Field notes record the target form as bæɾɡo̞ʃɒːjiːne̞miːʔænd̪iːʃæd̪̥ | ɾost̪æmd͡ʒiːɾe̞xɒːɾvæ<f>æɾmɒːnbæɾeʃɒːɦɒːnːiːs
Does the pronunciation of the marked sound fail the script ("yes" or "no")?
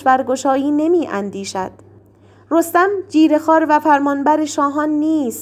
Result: no